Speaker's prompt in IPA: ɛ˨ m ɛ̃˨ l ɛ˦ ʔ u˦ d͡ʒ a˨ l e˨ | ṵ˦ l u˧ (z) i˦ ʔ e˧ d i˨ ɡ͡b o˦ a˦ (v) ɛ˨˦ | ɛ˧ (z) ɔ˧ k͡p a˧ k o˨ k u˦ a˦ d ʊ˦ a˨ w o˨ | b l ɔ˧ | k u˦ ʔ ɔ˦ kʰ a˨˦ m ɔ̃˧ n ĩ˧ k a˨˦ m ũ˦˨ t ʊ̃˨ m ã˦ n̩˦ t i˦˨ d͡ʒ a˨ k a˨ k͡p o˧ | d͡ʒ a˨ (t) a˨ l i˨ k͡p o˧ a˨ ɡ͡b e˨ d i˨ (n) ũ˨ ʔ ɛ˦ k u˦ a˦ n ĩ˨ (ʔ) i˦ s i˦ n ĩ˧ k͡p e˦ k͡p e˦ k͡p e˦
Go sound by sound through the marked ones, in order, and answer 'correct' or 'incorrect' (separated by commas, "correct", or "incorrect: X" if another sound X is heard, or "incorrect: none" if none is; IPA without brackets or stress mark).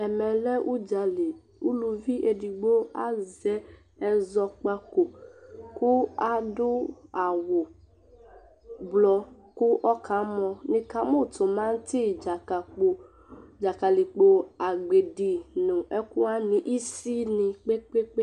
incorrect: v, incorrect: z, correct, incorrect: k, correct, correct